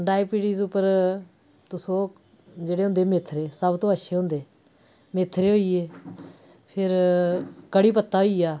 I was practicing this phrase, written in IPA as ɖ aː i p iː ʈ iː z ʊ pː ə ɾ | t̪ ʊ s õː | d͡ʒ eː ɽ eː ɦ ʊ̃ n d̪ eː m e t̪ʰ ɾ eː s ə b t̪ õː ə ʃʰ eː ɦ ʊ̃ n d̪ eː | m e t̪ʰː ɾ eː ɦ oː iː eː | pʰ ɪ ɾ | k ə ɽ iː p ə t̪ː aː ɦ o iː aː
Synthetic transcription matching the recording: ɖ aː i p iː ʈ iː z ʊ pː ə ɾ | t̪ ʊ s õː | d͡ʒ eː ɽ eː ɦ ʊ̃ n d̪ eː m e t̪ʰ ɾ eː s ə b t̪ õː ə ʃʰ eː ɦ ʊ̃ n d̪ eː | m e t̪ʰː ɾ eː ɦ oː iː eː | pʰ ɪ ɾ | k ə ɽ iː p ə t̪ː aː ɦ o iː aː